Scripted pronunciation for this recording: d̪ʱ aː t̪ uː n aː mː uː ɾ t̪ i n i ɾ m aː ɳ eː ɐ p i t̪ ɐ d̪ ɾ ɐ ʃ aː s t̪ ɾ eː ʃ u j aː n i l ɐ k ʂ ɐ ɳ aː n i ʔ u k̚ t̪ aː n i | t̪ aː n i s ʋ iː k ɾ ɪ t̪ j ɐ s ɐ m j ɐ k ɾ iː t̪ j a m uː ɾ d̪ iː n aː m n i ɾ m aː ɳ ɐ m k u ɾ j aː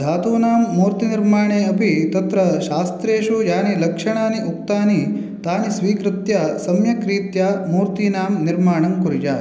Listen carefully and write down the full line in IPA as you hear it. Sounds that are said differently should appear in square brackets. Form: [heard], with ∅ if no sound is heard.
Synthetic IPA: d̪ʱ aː t̪ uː n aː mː uː ɾ t̪ i n i ɾ m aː ɳ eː ɐ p i t̪ ɐ [t̪] ɾ ɐ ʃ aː s t̪ ɾ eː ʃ u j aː n i l ɐ k ʂ ɐ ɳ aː n i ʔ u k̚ t̪ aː n i | t̪ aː n i s ʋ iː k ɾ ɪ t̪ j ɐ s ɐ m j ɐ k ɾ iː t̪ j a m uː ɾ [t̪] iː n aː m n i ɾ m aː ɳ ɐ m k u ɾ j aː